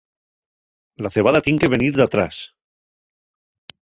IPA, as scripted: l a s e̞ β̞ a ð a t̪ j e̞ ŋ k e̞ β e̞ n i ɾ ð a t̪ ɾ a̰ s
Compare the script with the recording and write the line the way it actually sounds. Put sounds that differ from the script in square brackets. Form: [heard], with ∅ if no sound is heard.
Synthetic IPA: l a [θ] e̞ β̞ a ð a t̪ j e̞ ŋ k e̞ β e̞ n i ɾ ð a t̪ ɾ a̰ s

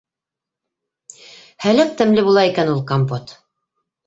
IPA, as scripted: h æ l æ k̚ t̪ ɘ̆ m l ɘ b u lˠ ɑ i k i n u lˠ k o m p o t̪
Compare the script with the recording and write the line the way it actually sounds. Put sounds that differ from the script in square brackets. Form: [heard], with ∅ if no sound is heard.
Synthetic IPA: h æ l æ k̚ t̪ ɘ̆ m l ɘ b u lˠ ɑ i k [æ] n u lˠ k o m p o t̪

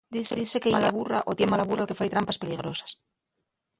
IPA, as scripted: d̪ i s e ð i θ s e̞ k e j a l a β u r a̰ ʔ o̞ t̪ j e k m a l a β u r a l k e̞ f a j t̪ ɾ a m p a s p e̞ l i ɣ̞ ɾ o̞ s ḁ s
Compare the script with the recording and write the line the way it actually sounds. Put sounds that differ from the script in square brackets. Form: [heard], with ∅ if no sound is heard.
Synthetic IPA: d̪ i s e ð i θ s e̞ k e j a l a β u r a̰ ʔ o̞ t̪ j e [∅] m a l a β u r a l k e̞ f a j t̪ ɾ a m p a s p e̞ l i ɣ̞ ɾ o̞ s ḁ s

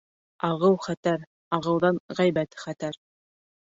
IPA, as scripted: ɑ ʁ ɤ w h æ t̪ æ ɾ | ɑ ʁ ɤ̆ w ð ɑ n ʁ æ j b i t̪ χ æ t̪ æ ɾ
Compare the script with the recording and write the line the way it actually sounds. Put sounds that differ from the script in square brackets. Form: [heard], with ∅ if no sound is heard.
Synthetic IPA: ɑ ʁ ɤ w [χ] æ t̪ æ ɾ | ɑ ʁ ɤ̆ w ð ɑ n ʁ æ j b [æ] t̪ χ æ t̪ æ ɾ

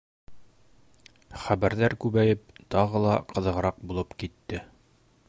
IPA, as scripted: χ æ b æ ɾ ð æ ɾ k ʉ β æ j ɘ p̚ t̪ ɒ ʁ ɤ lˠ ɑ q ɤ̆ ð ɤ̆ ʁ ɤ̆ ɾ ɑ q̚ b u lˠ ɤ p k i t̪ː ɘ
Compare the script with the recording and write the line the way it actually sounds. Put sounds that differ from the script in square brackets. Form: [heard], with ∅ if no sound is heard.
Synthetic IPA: χ æ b æ ɾ ð æ ɾ k ʉ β æ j ɘ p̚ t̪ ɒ ʁ ɤ lˠ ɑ q ɤ̆ ð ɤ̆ ʁ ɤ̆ ɾ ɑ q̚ b u lˠ ɤ p k i t̪ː ɘ

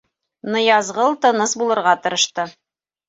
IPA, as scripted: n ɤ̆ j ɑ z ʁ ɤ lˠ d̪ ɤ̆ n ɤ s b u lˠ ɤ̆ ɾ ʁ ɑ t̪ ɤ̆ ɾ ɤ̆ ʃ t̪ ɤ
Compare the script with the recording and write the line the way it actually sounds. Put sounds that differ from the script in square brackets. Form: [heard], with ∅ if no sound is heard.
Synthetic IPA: n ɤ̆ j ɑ z ʁ ɤ lˠ [t̪] ɤ̆ n ɤ s b u lˠ ɤ̆ ɾ ʁ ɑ t̪ ɤ̆ ɾ ɤ̆ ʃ t̪ ɤ

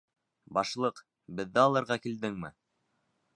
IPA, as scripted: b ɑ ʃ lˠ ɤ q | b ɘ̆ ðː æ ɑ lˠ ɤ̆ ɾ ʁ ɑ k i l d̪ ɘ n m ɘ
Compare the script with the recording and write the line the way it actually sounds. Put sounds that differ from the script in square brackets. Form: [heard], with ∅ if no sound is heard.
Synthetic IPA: b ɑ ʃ lˠ ɤ q | b ɘ̆ ðː æ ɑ lˠ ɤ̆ ɾ ʁ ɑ k i l d̪ ɘ [ŋ] m ɘ

